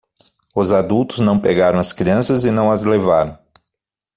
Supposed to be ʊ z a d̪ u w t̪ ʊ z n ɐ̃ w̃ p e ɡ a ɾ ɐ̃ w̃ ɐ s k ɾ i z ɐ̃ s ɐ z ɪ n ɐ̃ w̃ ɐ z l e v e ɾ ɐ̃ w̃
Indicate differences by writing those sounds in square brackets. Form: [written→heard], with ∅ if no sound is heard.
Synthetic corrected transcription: ʊ z a d̪ u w t̪ ʊ z n ɐ̃ w̃ p e ɡ a ɾ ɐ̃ w̃ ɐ s k ɾ i [z→∅] ɐ̃ s ɐ z ɪ n ɐ̃ w̃ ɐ z l e v [e→a] ɾ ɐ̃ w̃

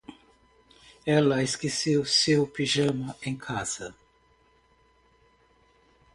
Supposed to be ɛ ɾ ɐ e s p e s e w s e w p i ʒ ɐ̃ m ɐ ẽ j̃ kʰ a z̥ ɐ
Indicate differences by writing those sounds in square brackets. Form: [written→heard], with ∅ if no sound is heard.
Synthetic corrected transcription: ɛ [ɾ→l] ɐ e s [p→k] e s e w s e w p i ʒ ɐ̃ m ɐ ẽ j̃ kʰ a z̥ ɐ

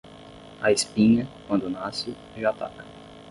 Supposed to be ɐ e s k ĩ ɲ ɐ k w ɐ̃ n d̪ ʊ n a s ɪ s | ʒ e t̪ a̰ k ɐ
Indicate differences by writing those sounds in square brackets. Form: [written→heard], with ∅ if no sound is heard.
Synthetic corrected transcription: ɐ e s [k→p] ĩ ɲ ɐ k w ɐ̃ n d̪ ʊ n a s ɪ [s→∅] | ʒ [e→a] t̪ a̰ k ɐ

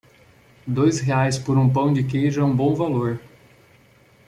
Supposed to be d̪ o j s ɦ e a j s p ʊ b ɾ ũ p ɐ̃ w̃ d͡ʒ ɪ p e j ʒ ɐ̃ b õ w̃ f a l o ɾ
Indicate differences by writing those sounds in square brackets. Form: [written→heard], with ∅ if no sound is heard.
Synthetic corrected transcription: d̪ o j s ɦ e a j s p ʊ [b→∅] ɾ ũ p ɐ̃ w̃ d͡ʒ ɪ [p→k] e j ʒ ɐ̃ b õ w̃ [f→v] a l o ɾ

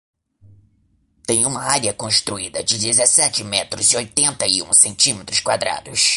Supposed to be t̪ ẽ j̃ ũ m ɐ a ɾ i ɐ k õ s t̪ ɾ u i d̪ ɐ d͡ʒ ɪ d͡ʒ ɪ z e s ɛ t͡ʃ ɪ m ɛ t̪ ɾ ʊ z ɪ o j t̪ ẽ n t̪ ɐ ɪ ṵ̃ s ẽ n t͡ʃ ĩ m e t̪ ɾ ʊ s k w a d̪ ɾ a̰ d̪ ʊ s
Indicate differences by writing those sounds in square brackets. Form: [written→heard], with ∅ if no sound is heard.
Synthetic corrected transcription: t̪ ẽ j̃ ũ m ɐ a ɾ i ɐ k õ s t̪ ɾ u i d̪ ɐ d͡ʒ ɪ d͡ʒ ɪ z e s ɛ t͡ʃ ɪ m ɛ t̪ ɾ ʊ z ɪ o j t̪ ẽ n t̪ ɐ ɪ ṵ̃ s ẽ n t͡ʃ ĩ m e t̪ ɾ ʊ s k w a d̪ ɾ a̰ d̪ ʊ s

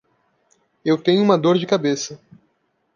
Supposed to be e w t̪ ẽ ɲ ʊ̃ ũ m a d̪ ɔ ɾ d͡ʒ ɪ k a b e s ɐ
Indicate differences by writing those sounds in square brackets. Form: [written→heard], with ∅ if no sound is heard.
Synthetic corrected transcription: e w t̪ ẽ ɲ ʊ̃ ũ m [a→ɐ] d̪ [ɔ→o] ɾ d͡ʒ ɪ k a b e s ɐ

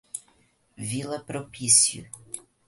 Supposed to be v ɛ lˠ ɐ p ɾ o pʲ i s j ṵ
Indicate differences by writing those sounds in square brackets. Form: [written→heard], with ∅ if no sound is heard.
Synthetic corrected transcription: v [ɛ→i] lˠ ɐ p ɾ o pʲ i s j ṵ

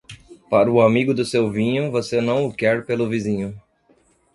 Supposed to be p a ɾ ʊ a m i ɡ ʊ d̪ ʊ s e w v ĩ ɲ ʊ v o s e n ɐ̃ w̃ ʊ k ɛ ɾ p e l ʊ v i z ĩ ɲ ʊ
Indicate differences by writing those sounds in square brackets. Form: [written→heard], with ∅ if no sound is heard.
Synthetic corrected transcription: p a ɾ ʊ a m i ɡ ʊ d̪ ʊ s e w v ĩ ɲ ʊ v o s e n ɐ̃ w̃ ʊ k ɛ ɾ p e l ʊ v i z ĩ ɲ ʊ

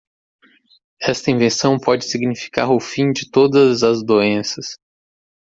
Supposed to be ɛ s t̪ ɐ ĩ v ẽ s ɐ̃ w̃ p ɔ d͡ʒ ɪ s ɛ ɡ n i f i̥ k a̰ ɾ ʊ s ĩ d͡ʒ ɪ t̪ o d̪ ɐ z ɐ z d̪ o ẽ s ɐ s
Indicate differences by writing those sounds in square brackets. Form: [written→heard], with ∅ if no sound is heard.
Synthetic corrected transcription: ɛ s t̪ ɐ ĩ v ẽ s ɐ̃ w̃ p ɔ d͡ʒ ɪ s [ɛ→i] ɡ n i f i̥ k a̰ ɾ ʊ [s→f] ĩ d͡ʒ ɪ t̪ o d̪ ɐ z ɐ z d̪ o ẽ s ɐ s

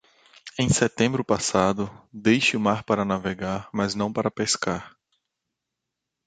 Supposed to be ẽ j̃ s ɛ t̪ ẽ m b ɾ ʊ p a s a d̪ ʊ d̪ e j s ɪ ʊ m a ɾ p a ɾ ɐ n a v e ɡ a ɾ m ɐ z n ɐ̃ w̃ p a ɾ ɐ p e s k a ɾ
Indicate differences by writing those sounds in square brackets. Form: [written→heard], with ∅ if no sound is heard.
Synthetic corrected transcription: ẽ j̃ s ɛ t̪ ẽ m b ɾ ʊ p a s a d̪ ʊ d̪ e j [s→ʃ] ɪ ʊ m a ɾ p a ɾ ɐ n a v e ɡ a ɾ m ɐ z n ɐ̃ w̃ p a ɾ ɐ p e s k a ɾ

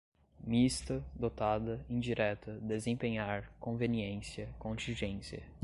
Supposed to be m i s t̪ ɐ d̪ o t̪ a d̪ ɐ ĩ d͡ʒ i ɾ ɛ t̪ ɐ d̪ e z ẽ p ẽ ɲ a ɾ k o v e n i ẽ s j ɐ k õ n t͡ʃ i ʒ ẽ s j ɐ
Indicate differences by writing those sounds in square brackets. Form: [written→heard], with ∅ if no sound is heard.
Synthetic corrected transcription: m i s t̪ ɐ d̪ o t̪ a d̪ ɐ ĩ d͡ʒ i ɾ ɛ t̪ ɐ d̪ e z ẽ p ẽ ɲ a ɾ k [o→õ] v e n i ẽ s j ɐ k õ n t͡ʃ [i→ĩ] ʒ ẽ s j ɐ

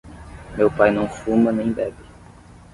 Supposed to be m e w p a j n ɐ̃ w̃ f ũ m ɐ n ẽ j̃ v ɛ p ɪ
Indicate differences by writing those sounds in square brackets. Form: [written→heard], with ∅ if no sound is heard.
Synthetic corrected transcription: m e w p a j n ɐ̃ w̃ f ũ m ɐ n ẽ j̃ [v→b] ɛ [p→b] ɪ

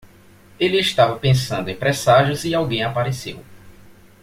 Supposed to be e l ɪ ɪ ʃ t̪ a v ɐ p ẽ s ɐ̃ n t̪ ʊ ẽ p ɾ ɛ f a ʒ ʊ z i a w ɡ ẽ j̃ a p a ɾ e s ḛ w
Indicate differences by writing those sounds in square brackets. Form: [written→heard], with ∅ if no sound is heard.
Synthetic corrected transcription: e l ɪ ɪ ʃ t̪ a v ɐ p ẽ s ɐ̃ n [t̪→d̪] ʊ ẽ p ɾ ɛ [f→s] a ʒ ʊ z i a w ɡ ẽ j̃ a p a ɾ e s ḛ w

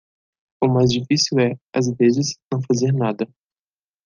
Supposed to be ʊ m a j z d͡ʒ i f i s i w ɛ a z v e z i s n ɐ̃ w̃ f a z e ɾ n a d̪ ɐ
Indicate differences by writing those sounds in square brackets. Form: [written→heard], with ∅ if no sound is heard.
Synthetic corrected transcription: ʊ m a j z d͡ʒ i f i s i w ɛ a z v e z [i→ɪ] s n ɐ̃ w̃ f a z e ɾ n a d̪ ɐ

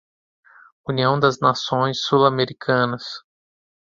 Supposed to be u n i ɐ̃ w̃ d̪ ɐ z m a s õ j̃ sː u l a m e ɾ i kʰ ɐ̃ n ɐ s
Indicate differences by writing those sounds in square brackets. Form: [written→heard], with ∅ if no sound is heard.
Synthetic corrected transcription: u n i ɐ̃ w̃ d̪ ɐ z [m→n] a s õ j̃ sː u l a m e ɾ i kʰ ɐ̃ n ɐ s

